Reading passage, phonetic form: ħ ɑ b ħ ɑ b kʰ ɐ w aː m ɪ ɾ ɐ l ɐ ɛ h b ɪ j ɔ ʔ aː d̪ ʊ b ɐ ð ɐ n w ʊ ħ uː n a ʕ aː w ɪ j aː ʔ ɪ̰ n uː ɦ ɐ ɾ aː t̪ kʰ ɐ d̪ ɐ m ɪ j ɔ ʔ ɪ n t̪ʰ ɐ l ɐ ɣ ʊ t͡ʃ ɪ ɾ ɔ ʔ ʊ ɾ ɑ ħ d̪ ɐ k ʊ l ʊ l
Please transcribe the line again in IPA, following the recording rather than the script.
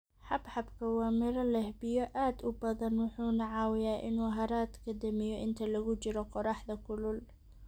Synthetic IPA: ħ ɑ b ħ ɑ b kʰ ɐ w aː m ɪ ɾ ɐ l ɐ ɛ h b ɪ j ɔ ʔ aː d̪ ʊ b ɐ ð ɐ n w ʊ ħ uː n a ʕ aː w ɪ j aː ʔ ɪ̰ n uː ɦ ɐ ɾ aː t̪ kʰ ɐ d̪ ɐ m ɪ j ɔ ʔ ɪ n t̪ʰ ɐ l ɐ ɣ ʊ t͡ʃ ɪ ɾ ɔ q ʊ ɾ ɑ ħ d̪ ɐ k ʊ l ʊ l

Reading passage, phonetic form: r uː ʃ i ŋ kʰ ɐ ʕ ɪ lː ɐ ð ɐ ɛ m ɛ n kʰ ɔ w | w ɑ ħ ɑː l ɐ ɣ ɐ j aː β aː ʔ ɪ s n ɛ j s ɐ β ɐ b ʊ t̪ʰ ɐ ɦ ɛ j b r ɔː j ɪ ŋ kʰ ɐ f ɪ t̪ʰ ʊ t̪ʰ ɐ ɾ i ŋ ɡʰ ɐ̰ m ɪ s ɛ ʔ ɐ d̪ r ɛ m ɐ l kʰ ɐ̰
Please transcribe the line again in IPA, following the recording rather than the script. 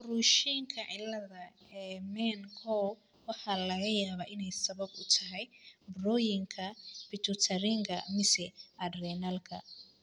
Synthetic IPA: r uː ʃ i ŋ kʰ ɐ ʕ ɪ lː ɐ ð ɐ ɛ m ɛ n kʰ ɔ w | w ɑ ħ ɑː l ɐ ɣ ɐ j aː β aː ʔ ɪ n ɛ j s ɐ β ɐ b ʊ t̪ʰ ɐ ɦ ɛ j b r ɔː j ɪ ŋ kʰ ɐ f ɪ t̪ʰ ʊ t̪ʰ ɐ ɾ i ŋ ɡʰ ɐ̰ m ɪ s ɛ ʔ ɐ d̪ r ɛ n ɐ l kʰ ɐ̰

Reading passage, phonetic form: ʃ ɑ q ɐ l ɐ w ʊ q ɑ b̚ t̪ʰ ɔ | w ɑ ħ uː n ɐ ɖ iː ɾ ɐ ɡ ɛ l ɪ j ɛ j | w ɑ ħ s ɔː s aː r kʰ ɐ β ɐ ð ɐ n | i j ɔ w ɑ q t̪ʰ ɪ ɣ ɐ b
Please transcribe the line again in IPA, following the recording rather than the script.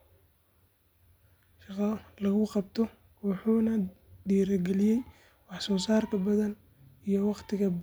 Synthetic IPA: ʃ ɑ q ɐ l ɐ ɣ ʊ q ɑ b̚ t̪ʰ ɔ | w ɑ ħ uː n ɐ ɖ iː ɾ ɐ ɡ ɛ l ɪ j ɛ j | w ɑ ħ s ɔː s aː r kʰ ɐ b ɐ ð ɐ n | i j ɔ w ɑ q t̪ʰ ɪ ɣ ɐ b

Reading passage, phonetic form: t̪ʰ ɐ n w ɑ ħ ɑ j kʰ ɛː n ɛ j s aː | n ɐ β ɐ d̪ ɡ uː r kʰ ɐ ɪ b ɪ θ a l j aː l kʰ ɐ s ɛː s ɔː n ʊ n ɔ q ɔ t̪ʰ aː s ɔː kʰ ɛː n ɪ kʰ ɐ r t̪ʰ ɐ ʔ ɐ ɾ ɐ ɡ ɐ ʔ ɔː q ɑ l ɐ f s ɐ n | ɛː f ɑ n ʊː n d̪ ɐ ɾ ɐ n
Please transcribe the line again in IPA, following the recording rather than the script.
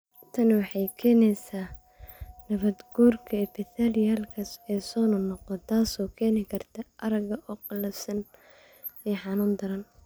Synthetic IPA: t̪ʰ ɐ n w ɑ ħ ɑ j kʰ ɛː n ɛ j s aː | n ɐ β ɐ d̪ ɡ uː r kʰ ɐ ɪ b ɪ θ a l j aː l kʰ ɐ s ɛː s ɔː n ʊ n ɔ q ɔ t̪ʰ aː s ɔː kʰ ɛː n ɪ kʰ ɐ r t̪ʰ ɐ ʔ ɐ ɾ ɐ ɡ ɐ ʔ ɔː q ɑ l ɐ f s ɐ n | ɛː ħ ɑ n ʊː n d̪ ɐ ɾ ɐ n

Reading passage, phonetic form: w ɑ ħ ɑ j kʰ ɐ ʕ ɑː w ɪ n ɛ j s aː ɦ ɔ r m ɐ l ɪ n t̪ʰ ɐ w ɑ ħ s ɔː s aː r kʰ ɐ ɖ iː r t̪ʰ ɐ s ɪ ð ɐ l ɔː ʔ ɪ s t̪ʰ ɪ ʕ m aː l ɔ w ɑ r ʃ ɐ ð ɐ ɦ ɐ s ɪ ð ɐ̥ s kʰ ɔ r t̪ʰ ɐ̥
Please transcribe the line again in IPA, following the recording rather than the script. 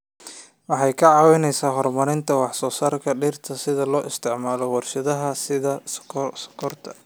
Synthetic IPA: w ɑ ħ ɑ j kʰ ɐ ʕ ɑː w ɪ n ɛ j s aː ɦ ɔ r m ɐ ɾ ɪ n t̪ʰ ɐ w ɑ ħ s ɔː s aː r kʰ ɐ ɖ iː r t̪ʰ ɐ s ɪ ð ɐ l ɔː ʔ ɪ s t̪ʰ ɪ ʕ m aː l ɔ w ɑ r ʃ ɐ ð ɐ ɦ ɐ s ɪ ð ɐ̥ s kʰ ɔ r t̪ʰ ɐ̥

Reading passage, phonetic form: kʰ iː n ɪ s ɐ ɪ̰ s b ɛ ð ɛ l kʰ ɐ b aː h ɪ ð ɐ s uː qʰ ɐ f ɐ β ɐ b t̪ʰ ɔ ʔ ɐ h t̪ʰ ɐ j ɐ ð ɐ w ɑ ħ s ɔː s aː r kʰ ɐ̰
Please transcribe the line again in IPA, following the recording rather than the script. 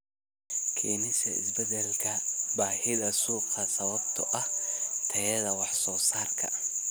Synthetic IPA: kʰ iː n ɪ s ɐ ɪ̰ s b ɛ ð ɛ l kʰ ɐ b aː h ɪ ð ɐ s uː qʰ ɐ s ɐ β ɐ b t̪ʰ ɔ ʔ ɐ h t̪ʰ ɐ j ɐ ð ɐ w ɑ ħ s ɔː s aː r kʰ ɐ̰

